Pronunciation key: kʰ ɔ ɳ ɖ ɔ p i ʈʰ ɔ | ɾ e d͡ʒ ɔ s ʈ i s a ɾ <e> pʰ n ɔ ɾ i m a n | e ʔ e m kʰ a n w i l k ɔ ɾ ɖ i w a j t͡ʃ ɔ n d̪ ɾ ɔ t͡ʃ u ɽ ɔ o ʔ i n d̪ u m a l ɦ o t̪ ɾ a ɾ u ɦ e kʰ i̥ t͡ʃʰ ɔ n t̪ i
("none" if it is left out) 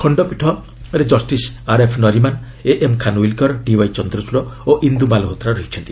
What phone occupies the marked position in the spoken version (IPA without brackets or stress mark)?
e